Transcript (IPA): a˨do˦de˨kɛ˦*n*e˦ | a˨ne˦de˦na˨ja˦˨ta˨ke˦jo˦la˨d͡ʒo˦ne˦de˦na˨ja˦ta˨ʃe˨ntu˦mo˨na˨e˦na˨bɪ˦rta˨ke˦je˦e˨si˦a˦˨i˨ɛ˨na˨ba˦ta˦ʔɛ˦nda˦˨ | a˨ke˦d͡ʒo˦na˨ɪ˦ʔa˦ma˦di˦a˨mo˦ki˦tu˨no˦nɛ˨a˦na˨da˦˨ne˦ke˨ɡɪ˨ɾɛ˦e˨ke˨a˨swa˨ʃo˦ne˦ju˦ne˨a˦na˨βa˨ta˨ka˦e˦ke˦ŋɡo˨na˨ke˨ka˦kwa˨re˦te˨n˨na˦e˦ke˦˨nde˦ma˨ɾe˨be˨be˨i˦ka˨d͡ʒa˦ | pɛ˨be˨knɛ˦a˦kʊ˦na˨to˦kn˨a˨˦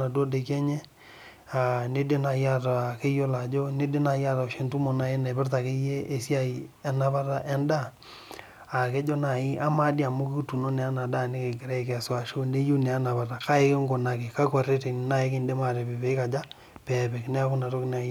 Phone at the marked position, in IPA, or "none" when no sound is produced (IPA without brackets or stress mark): ɲ